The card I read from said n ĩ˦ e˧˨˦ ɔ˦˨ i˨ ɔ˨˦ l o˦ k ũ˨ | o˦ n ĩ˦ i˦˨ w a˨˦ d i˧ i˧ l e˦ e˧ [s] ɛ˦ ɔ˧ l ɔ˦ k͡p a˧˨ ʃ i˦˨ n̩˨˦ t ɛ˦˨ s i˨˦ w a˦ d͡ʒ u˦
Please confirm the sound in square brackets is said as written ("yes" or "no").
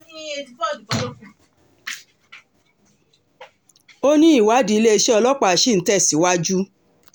no